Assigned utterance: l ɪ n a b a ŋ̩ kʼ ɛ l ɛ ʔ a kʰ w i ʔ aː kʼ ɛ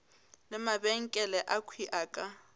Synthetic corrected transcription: l ɪ m a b ɛ ŋ̩ kʼ ɛ l ɛ ʔ a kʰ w i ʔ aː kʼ a